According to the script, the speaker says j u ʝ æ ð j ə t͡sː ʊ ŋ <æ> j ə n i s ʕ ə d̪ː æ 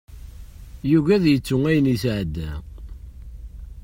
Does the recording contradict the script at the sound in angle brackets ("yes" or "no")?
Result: no